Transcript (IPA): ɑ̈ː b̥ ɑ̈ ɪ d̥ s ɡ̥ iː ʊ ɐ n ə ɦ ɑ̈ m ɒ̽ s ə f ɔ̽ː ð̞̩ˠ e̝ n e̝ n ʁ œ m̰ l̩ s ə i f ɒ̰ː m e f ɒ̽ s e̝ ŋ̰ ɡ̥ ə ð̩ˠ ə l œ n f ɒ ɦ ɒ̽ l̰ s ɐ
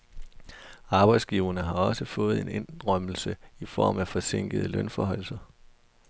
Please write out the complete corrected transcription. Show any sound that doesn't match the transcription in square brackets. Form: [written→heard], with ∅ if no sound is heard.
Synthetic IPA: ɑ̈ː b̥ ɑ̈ ɪ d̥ s ɡ̥ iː ʊ ɐ n ə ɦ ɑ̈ [m→∅] ɒ̽ s ə f ɔ̽ː ð̞̩ˠ e̝ n e̝ n ʁ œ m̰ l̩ s ə i f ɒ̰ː m [e→æ] f ɒ̽ s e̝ ŋ̰ ɡ̥ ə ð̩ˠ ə l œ n f ɒ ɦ ɒ̽ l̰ s ɐ